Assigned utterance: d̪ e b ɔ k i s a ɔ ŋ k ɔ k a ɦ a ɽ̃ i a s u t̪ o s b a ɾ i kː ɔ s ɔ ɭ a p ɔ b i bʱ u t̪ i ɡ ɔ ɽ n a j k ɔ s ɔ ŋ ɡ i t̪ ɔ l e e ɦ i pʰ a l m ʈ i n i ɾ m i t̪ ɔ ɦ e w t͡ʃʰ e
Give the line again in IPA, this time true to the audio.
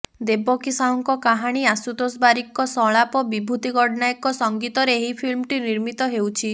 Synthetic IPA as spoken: d̪ e b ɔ k i s a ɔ ŋ k ɔ k a ɦ a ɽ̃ i a s u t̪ o s b a ɾ i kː ɔ s ɔ ɭ a p ɔ b i bʱ u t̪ i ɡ ɔ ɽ n a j k ɔ s ɔ ŋ ɡ i t̪ ɔ ɾ e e ɦ i pʰ i l m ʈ i n i ɾ m i t̪ ɔ ɦ e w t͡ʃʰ i